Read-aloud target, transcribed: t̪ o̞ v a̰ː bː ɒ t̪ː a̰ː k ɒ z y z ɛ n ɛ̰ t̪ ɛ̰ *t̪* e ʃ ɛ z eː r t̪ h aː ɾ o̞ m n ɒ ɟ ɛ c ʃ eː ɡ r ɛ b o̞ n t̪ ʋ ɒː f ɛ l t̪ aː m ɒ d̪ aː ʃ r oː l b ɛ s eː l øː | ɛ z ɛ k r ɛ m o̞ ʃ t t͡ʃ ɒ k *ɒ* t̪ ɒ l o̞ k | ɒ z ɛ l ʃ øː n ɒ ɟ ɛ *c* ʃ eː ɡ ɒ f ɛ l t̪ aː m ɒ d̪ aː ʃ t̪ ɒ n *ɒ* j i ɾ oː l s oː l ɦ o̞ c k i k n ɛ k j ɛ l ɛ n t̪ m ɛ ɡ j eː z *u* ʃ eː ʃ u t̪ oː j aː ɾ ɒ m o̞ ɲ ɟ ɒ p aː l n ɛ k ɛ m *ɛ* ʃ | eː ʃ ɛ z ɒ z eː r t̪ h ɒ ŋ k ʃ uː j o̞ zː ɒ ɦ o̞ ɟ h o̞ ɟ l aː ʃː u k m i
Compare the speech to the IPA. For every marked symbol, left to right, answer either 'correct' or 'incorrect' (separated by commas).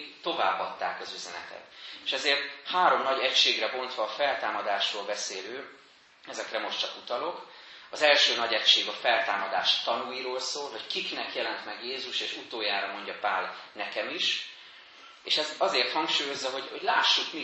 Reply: correct, incorrect, correct, incorrect, correct, incorrect